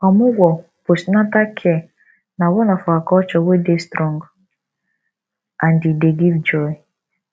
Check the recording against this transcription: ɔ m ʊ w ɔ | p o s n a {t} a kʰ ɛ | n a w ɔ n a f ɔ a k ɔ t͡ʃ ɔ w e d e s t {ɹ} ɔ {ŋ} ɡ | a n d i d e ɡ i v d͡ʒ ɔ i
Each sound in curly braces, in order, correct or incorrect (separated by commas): correct, incorrect, correct